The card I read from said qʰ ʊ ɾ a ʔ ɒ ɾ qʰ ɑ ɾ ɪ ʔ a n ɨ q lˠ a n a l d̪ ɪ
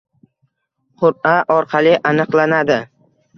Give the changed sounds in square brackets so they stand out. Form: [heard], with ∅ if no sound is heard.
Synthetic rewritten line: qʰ ʊ ɾ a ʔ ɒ ɾ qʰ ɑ [l] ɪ ʔ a n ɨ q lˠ a n a [∅] d̪ ɪ